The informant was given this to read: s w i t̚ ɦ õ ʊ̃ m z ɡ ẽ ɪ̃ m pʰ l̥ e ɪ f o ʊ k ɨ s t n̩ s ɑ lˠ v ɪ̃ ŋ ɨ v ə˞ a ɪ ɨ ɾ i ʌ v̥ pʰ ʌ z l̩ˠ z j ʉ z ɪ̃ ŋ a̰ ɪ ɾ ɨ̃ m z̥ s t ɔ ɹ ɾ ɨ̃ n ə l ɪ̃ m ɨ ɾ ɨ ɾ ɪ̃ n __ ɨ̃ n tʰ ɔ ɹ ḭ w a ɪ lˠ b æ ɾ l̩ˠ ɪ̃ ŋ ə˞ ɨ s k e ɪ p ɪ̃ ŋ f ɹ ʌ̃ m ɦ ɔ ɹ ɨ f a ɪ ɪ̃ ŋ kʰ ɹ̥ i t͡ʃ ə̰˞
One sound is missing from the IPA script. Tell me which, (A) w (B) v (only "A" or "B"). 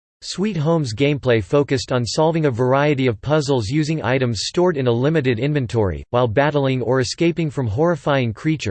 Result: B